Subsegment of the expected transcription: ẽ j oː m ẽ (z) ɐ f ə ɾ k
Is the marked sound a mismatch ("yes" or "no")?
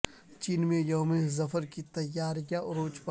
no